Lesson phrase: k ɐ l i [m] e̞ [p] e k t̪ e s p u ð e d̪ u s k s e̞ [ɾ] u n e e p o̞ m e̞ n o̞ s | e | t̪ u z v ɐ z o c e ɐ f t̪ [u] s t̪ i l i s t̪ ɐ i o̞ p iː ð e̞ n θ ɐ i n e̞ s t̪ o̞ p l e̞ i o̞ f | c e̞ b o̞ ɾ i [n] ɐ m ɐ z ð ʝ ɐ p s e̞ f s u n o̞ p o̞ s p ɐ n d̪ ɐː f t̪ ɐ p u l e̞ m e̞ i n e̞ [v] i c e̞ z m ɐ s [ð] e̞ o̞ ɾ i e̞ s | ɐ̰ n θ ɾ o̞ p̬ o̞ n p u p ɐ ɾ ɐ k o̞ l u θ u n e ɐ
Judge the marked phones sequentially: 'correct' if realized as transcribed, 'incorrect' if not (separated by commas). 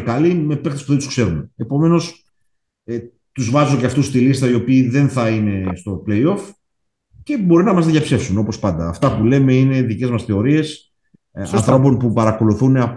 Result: correct, correct, correct, correct, correct, incorrect, incorrect